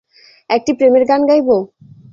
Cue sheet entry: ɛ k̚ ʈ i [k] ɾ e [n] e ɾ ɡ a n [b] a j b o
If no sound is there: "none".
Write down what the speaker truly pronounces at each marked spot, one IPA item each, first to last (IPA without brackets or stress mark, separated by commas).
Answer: p, m, ɡ